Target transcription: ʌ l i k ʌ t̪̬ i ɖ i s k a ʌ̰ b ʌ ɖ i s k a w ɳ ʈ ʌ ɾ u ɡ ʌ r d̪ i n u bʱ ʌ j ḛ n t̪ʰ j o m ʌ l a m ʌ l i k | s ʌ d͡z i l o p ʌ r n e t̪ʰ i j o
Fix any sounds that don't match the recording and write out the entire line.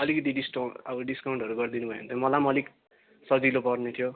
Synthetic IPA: ʌ l i k ʌ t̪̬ i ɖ i s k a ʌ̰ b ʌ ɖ i s k a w ɳ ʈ ʌ ɾ u ɡ ʌ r d̪ i n u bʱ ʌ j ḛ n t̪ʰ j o m ʌ l a m ʌ l i k | s ʌ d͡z i l o p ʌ r n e t̪ʰ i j o